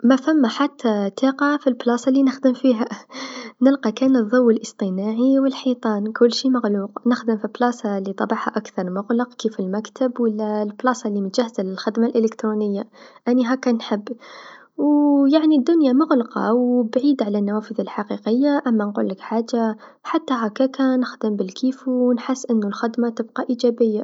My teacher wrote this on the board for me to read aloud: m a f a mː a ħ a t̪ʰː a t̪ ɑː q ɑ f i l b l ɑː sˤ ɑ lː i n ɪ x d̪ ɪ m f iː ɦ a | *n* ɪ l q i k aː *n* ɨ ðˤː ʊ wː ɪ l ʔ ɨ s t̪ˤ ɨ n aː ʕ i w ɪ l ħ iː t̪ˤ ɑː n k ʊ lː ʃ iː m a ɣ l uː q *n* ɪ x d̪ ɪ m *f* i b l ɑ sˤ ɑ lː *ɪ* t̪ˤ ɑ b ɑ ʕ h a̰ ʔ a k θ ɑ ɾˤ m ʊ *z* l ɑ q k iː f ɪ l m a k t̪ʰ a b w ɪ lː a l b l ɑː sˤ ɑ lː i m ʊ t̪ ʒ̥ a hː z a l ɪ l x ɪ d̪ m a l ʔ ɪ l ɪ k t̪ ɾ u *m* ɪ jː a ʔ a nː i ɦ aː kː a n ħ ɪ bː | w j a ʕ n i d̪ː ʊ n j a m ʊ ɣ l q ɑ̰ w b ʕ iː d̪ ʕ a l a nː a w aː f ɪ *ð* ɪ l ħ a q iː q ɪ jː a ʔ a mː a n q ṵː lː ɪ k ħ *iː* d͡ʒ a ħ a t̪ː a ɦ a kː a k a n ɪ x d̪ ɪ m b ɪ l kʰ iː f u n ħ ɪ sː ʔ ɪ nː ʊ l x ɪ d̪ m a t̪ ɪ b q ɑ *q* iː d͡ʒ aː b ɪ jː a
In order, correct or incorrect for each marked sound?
correct, correct, correct, correct, incorrect, incorrect, incorrect, correct, incorrect, incorrect

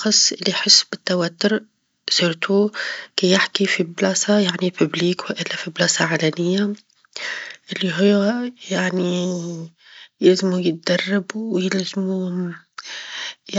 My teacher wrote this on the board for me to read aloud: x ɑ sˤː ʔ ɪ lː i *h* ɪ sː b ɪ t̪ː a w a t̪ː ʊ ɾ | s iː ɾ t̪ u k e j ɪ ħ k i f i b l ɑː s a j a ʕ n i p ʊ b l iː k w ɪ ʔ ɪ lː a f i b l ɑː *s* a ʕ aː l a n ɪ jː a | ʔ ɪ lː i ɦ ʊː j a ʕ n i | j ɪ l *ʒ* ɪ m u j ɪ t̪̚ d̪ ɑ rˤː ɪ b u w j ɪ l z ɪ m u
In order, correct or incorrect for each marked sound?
incorrect, correct, incorrect

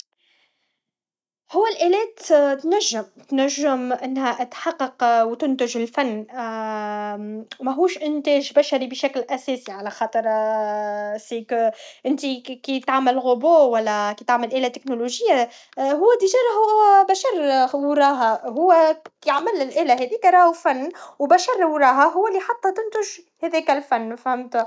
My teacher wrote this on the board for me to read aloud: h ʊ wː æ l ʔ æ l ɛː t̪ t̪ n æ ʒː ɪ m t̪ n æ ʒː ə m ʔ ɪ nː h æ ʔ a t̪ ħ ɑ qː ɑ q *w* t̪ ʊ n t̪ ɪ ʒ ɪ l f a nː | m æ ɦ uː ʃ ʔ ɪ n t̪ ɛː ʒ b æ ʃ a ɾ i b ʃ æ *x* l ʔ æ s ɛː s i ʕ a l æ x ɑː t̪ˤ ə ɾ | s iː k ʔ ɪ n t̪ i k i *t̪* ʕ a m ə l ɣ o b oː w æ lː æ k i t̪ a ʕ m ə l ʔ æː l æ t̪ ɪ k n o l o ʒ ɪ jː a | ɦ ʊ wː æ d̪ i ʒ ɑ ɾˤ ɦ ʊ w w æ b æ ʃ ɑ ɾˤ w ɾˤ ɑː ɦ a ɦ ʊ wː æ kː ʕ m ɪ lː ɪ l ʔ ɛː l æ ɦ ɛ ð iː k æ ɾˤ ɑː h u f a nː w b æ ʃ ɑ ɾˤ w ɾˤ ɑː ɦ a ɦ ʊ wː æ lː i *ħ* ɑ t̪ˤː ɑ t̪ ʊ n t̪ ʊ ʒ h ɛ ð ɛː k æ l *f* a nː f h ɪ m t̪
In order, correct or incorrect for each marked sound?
correct, incorrect, correct, correct, correct

